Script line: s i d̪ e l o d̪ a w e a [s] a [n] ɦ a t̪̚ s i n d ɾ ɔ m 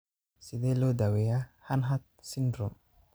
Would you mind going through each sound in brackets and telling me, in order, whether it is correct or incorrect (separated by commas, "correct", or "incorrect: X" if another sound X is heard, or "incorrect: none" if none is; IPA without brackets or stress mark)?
incorrect: h, correct